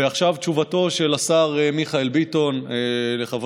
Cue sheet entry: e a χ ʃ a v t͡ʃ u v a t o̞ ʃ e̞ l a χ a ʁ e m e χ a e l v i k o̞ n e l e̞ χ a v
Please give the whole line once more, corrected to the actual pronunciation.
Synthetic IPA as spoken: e a χ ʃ a v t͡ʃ u v a t o̞ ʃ e̞ l a s a ʁ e m i χ a e l b i t o̞ n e l e̞ χ a v